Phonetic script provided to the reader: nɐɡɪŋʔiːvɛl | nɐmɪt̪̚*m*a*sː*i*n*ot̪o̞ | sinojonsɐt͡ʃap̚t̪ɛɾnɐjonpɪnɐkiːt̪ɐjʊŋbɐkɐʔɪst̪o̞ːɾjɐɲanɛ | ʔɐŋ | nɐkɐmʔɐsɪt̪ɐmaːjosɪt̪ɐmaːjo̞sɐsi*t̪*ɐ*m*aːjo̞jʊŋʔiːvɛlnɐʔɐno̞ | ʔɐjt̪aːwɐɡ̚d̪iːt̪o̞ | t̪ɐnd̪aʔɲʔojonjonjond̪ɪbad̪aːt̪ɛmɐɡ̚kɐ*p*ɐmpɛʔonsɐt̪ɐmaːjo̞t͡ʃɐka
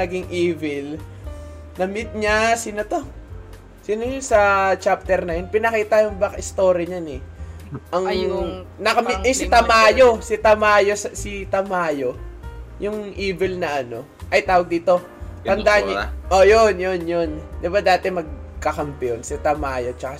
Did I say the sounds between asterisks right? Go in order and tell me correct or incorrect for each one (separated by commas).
incorrect, incorrect, correct, correct, correct, incorrect